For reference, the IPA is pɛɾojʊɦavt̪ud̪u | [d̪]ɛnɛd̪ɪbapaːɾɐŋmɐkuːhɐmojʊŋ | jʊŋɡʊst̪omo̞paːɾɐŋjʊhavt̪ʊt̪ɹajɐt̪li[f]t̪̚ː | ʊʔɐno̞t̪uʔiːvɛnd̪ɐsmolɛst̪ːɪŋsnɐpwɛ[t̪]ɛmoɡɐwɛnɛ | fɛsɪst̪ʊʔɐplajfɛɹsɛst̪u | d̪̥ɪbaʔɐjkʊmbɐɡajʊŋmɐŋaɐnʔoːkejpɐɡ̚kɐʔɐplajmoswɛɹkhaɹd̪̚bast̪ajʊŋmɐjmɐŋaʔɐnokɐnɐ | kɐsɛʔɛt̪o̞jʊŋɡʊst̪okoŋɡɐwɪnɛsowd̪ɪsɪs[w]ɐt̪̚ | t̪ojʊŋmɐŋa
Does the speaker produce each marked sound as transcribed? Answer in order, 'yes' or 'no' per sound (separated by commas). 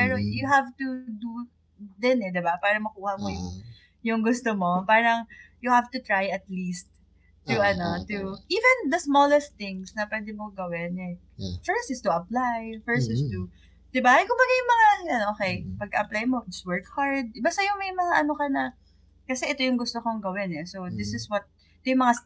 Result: yes, no, no, yes